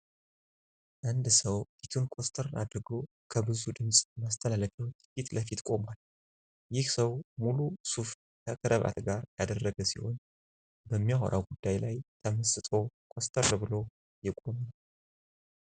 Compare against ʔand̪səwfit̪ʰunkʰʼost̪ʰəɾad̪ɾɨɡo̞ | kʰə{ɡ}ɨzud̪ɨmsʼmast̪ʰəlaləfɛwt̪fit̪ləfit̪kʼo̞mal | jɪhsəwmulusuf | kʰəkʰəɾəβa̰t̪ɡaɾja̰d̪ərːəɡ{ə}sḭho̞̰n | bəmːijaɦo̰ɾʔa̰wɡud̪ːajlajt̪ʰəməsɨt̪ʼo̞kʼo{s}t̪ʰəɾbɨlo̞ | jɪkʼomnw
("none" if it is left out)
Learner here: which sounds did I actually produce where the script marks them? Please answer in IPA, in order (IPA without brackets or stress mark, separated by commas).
b, ə, s